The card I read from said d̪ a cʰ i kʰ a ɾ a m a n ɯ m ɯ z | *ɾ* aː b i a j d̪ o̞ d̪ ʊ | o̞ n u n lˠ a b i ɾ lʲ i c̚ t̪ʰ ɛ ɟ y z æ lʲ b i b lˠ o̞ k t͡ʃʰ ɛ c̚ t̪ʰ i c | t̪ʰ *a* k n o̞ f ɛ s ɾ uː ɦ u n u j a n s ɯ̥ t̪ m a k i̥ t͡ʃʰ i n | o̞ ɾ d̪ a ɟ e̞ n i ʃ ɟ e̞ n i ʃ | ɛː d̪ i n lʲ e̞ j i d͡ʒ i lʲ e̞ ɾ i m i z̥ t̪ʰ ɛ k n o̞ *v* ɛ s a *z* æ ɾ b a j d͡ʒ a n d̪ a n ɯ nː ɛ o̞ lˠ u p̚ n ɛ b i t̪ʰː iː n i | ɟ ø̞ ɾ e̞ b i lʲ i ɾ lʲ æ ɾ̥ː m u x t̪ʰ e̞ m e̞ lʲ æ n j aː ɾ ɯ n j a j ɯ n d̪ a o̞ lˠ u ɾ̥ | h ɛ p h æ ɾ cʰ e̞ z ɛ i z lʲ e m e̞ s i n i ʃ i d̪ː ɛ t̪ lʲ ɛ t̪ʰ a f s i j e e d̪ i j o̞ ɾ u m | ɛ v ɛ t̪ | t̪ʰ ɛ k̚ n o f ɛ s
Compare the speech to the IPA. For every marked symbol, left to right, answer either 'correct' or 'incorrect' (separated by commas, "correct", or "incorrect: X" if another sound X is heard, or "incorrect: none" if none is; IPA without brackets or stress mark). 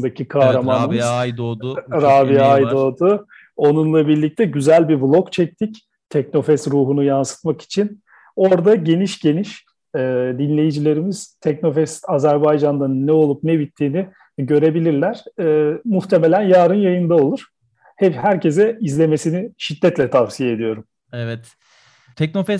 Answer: correct, incorrect: ɛ, incorrect: f, correct